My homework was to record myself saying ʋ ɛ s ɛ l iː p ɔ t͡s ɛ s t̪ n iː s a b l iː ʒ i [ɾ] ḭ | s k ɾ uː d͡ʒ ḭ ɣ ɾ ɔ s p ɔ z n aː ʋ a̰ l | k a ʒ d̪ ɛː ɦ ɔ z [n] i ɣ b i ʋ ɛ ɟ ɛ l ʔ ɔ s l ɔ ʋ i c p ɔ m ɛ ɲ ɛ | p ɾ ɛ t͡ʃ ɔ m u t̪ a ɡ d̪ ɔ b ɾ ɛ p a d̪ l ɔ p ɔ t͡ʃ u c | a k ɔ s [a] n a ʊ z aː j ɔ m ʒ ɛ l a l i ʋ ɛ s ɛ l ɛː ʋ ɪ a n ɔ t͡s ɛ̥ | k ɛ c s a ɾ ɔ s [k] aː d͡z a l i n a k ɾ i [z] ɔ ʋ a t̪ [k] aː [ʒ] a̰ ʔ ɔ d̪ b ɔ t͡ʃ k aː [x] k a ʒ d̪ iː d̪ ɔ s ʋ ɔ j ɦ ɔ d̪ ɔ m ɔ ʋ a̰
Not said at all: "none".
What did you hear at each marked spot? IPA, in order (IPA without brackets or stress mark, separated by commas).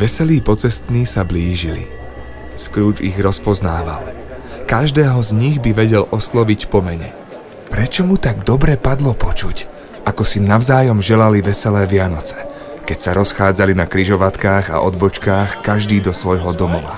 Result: l, ɲ, i, x, ʒ, k, ɣ, x